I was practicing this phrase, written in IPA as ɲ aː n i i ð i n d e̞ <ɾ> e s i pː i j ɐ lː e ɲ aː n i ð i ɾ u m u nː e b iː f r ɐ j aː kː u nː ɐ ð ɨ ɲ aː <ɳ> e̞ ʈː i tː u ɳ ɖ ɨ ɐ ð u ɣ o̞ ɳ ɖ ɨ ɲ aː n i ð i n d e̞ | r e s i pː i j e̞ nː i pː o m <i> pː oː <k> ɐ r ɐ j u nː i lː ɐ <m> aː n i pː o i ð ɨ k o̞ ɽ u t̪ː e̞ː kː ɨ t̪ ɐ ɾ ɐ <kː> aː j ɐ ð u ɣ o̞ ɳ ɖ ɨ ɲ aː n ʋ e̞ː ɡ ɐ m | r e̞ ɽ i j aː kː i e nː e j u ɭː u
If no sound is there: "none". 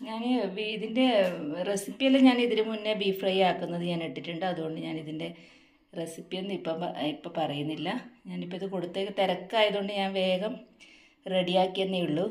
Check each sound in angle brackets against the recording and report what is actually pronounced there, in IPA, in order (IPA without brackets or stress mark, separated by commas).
r, n, i, p, ɲ, kː